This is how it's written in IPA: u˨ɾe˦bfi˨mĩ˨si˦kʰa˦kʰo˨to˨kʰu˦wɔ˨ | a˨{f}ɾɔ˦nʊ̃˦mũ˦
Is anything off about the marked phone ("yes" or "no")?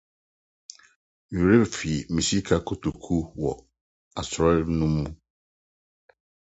yes